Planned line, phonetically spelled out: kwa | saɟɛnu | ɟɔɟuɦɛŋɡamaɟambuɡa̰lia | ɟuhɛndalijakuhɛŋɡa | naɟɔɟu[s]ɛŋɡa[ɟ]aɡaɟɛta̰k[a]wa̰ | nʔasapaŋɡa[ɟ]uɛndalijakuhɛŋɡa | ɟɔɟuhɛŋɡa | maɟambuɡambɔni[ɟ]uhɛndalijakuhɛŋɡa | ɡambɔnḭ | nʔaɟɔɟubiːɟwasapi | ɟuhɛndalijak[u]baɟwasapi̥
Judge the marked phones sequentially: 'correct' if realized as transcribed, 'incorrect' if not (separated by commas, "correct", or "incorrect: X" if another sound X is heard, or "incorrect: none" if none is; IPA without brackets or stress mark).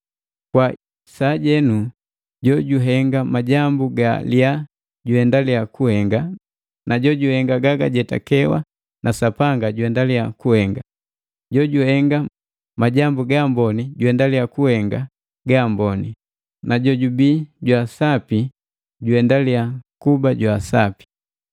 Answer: incorrect: h, incorrect: ɡ, incorrect: ɛ, correct, correct, correct